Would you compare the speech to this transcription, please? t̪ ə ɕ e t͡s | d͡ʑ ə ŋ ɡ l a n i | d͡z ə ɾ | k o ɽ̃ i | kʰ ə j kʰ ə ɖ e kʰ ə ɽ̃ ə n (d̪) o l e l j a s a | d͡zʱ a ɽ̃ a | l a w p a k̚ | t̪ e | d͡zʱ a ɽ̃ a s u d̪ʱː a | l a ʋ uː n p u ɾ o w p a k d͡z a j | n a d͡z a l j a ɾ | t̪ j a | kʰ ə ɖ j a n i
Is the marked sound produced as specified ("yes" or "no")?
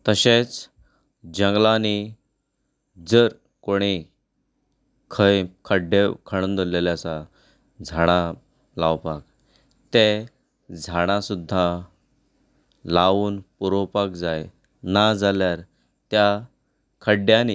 yes